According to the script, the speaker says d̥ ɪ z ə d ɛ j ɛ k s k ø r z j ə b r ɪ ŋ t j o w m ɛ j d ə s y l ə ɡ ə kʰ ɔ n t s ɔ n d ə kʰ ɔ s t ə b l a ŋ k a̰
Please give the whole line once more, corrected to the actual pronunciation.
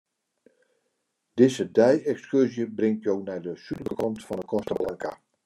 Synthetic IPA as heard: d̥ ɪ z ə d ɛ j ɛ k s k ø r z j ə b r ɪ ŋ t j o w n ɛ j d ə s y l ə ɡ ə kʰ ɔ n t f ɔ n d ə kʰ ɔ s t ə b l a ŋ k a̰